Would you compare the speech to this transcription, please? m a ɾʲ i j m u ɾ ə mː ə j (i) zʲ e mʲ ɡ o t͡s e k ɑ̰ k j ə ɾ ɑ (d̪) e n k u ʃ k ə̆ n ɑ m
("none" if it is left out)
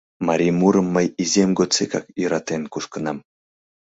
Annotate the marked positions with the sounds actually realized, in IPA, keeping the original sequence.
i, t̪

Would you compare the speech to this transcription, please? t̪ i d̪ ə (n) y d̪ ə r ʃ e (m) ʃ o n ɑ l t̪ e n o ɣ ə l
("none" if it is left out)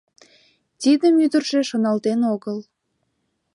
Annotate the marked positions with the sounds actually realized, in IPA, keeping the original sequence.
m, none

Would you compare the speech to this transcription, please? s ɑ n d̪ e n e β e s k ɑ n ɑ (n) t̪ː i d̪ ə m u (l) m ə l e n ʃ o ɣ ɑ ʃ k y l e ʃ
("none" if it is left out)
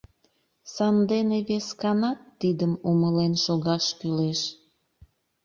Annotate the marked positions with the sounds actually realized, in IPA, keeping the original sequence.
none, none

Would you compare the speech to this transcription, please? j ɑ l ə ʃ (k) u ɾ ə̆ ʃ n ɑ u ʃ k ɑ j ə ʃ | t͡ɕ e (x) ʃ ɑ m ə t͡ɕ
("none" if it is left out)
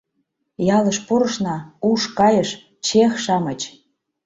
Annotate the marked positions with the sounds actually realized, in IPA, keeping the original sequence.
p, x

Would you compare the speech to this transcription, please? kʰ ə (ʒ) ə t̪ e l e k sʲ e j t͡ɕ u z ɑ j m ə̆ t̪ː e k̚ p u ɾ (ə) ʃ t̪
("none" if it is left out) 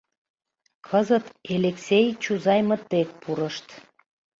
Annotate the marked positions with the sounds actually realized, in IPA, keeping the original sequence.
z, ə

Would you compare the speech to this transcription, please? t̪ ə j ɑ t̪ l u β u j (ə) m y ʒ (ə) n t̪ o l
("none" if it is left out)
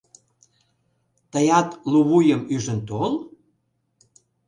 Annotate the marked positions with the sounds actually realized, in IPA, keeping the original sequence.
ə, ə

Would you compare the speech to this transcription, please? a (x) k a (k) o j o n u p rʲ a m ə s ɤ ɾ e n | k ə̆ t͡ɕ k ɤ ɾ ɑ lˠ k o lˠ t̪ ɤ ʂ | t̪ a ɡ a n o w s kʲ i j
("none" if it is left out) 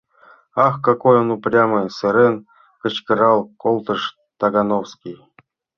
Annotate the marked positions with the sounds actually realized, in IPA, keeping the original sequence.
x, k

